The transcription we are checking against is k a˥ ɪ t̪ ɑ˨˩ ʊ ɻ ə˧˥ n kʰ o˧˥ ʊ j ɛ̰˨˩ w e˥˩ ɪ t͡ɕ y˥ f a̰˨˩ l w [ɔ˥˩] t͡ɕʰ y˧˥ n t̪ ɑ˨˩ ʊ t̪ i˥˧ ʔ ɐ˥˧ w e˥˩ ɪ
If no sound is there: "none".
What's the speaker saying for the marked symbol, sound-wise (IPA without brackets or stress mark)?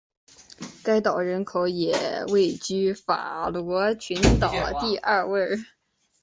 ɔ˧˥